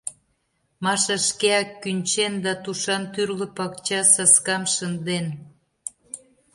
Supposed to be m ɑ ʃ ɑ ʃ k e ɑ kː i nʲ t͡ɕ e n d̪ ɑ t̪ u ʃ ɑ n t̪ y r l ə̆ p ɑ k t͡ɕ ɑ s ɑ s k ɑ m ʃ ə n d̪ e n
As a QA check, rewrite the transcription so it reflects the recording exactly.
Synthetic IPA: m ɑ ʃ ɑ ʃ k e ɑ kː y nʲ t͡ɕ e n d̪ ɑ t̪ u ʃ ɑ n t̪ y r l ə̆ p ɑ k t͡ɕ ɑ s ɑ s k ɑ m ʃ ə n d̪ e n